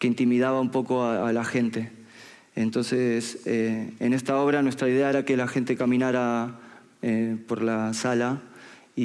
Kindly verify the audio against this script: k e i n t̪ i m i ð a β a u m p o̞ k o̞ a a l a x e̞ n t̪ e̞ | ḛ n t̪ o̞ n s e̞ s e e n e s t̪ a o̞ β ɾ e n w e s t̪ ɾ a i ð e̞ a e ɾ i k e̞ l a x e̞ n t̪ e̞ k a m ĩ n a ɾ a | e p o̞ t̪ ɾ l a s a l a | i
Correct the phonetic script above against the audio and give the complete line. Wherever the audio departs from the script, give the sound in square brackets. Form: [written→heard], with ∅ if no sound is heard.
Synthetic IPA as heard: k e i n t̪ i m i ð a β a u m p o̞ k o̞ a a l a x e̞ n t̪ e̞ | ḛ n t̪ o̞ n s e̞ s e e n e s t̪ a o̞ β ɾ [e→a] n w e s t̪ ɾ a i ð e̞ a e ɾ [i→a] k e̞ l a x e̞ n t̪ e̞ k a m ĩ n a ɾ a | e p o̞ [t̪→∅] ɾ l a s a l a | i